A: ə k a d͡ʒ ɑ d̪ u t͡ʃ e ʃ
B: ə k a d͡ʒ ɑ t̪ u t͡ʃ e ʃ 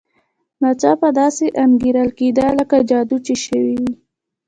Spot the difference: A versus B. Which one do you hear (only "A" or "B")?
A